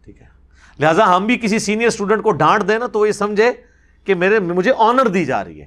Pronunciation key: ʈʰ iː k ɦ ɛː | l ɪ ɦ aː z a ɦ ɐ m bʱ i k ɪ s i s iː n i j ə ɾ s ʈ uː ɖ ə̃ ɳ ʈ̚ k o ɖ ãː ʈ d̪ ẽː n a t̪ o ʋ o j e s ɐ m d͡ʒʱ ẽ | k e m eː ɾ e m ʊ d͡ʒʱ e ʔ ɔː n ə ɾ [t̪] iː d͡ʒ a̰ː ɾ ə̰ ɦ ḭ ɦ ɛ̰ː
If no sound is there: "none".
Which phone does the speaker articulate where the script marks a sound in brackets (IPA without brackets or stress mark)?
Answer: d̪